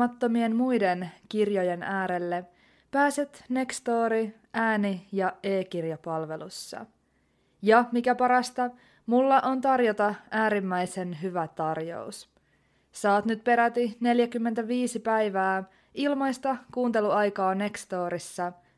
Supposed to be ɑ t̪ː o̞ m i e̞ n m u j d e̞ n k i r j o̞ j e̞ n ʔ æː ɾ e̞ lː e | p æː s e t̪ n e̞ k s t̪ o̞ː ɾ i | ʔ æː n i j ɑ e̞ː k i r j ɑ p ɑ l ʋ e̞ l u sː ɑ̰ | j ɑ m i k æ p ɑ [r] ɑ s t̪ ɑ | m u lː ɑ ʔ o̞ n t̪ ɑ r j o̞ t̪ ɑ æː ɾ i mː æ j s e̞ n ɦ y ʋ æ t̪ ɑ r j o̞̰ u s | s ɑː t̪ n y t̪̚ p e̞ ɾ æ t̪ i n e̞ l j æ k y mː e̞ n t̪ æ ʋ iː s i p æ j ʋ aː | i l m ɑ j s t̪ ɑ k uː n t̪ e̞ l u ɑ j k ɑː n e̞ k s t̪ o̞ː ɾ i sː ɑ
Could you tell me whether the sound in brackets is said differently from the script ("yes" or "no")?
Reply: yes